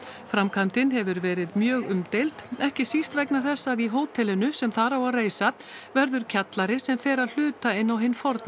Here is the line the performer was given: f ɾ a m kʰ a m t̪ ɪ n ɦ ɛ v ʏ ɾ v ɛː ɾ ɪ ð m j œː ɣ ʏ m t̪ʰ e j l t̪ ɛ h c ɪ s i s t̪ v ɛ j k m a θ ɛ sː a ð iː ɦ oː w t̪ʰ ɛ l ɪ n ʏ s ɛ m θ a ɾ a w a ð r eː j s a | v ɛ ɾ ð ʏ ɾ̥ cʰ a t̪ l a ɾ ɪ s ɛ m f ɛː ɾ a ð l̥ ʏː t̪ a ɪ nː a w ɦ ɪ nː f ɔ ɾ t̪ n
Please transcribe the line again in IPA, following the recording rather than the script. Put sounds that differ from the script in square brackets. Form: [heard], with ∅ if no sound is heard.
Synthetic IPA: f ɾ a m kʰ a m t̪ ɪ n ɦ ɛ v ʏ ɾ v ɛː ɾ ɪ ð m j œː ɣ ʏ m [t̪] e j l t̪ ɛ h c ɪ s i s t̪ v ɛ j k [n] a θ ɛ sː a ð [i] ɦ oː w t̪ʰ ɛ l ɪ n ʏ s ɛ m θ a ɾ a w a ð r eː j s a | v ɛ ɾ ð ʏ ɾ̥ cʰ a t̪ l a ɾ ɪ s ɛ m f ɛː ɾ a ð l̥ ʏː t̪ a ɪ nː a w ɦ ɪ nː f ɔ ɾ t̪ n